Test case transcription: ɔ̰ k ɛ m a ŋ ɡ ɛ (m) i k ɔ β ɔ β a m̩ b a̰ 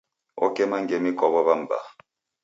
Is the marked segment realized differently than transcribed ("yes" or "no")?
no